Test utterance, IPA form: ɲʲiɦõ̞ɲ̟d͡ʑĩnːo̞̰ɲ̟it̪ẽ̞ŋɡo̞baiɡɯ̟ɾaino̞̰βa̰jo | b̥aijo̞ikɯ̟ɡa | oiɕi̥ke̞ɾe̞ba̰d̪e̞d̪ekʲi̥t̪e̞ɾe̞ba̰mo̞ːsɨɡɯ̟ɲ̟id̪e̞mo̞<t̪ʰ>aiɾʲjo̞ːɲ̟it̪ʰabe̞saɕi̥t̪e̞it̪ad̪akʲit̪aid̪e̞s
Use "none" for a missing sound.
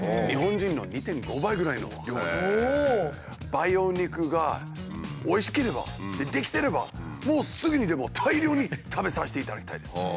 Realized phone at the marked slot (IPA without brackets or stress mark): t̪ʰ